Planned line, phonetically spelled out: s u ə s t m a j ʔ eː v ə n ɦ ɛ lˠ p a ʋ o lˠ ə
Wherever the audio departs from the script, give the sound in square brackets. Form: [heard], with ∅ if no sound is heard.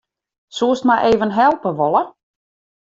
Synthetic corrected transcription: s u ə s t m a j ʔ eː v ə n ɦ ɛ lˠ p [ə] ʋ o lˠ ə